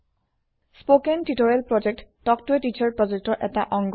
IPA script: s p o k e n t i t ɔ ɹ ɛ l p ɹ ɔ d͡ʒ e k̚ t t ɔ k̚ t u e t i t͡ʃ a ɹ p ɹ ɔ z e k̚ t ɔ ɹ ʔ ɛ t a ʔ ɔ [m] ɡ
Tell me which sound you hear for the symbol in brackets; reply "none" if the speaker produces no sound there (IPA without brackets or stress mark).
ŋ